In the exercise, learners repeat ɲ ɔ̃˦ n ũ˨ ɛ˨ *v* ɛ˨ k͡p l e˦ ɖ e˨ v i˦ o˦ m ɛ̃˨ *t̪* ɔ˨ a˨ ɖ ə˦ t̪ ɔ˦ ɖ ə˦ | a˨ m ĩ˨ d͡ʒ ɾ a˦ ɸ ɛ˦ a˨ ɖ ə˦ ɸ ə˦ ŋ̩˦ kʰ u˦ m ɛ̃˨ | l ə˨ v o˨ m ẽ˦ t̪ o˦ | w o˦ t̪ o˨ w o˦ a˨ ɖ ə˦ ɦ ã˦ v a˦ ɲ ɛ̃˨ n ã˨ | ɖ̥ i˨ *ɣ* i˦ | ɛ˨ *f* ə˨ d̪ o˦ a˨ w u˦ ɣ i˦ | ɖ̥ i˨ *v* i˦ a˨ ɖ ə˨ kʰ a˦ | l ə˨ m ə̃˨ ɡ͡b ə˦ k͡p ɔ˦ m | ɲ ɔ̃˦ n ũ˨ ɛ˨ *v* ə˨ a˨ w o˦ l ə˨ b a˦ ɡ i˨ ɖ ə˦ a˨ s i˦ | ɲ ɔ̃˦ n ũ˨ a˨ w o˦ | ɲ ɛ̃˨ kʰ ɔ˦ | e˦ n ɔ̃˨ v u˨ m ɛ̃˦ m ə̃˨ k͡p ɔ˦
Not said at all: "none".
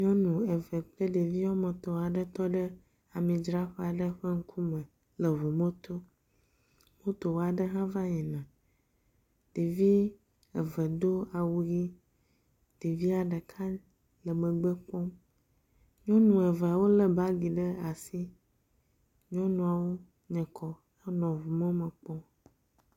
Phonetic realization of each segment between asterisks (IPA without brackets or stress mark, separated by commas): v, t̪, v, v, v, v